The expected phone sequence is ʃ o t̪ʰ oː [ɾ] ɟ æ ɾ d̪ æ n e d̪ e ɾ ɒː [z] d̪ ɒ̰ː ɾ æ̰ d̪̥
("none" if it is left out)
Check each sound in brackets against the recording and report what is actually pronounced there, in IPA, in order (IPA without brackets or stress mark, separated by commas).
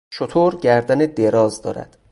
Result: ɾ, z